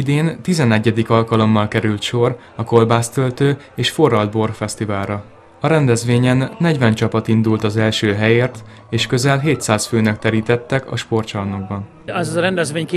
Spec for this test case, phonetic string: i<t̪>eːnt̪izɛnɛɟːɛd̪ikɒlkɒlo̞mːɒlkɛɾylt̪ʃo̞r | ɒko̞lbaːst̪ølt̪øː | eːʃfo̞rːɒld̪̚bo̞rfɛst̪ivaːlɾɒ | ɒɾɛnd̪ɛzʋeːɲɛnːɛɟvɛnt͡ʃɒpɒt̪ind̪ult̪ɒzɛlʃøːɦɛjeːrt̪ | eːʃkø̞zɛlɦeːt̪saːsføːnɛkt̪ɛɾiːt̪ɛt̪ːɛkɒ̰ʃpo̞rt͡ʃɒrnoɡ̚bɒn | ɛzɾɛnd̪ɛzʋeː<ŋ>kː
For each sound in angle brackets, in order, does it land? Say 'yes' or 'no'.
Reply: no, no

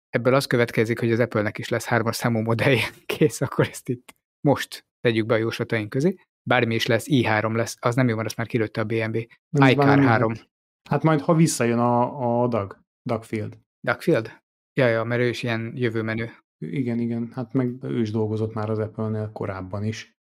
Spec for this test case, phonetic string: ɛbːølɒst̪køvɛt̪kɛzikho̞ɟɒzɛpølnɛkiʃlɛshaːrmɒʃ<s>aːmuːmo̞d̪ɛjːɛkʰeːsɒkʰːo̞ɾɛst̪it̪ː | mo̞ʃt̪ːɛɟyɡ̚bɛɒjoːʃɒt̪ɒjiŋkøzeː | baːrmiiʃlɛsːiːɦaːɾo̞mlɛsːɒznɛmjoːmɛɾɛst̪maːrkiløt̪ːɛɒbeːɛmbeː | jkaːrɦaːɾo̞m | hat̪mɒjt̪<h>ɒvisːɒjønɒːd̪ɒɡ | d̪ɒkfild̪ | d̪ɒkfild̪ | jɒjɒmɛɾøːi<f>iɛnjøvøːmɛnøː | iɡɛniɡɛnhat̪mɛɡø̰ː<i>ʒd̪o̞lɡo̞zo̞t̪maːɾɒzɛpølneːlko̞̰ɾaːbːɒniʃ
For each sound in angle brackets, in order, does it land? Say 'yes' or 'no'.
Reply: yes, yes, no, yes

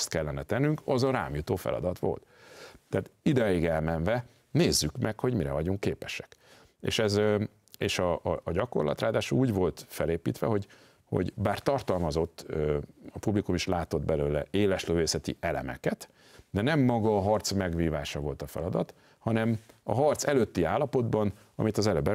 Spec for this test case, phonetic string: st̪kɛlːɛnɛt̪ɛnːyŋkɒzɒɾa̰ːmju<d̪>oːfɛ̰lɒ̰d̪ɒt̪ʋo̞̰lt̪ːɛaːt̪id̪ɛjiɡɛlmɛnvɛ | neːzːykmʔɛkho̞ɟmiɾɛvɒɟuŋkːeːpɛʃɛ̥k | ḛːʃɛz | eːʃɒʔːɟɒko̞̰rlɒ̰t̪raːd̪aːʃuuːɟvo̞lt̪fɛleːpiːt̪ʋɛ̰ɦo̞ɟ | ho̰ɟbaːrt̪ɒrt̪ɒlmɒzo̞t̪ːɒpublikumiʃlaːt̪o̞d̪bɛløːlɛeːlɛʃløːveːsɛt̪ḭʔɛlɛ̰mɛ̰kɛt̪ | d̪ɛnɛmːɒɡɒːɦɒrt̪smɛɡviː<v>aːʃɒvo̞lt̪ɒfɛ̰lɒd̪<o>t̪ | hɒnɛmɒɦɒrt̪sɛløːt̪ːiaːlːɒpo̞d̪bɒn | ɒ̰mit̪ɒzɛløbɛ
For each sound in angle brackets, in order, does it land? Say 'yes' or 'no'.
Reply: no, yes, no

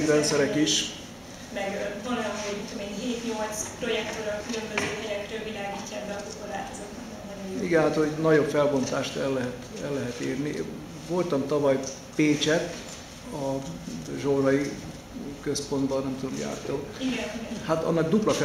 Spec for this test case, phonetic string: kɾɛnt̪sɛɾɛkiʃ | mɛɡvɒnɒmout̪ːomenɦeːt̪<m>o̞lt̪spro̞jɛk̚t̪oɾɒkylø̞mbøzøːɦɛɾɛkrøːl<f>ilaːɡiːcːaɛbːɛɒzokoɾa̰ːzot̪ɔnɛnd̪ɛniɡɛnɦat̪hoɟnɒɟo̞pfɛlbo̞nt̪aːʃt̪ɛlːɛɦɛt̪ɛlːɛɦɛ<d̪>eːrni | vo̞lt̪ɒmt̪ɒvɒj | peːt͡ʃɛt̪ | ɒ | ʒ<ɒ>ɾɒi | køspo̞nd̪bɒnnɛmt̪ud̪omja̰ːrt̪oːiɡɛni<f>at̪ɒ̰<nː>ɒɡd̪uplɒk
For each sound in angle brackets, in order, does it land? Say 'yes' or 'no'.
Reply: no, no, no, no, no, yes

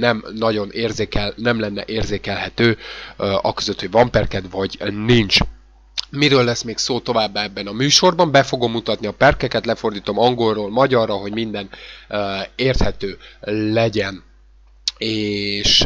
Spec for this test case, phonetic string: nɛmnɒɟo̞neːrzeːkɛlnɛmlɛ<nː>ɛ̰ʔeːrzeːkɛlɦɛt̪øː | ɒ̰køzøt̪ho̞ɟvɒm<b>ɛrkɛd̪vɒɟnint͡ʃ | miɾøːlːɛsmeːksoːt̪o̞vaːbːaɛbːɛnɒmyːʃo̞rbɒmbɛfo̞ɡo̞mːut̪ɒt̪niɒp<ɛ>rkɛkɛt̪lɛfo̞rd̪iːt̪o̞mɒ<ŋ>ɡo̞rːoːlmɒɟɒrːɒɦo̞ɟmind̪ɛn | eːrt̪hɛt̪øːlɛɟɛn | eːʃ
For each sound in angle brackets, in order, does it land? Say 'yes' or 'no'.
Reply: yes, no, yes, yes

